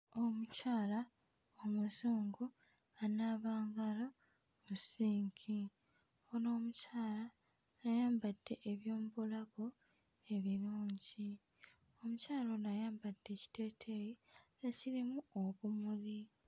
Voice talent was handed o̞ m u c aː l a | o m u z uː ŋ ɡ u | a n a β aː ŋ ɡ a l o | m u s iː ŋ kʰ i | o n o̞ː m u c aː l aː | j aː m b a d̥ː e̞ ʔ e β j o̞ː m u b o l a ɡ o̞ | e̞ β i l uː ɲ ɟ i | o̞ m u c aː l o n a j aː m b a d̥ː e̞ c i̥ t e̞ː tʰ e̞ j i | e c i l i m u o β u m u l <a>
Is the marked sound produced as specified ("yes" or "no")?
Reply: no